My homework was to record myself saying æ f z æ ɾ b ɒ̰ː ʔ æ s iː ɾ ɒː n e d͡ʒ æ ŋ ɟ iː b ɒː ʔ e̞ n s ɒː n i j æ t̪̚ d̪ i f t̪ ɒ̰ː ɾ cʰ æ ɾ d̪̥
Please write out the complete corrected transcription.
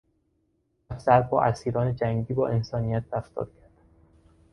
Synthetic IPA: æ f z æ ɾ b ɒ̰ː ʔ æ s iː ɾ ɒː n e d͡ʒ æ ŋ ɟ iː b ɒː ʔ e̞ n s ɒː n i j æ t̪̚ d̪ æ f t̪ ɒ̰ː ɾ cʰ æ ɾ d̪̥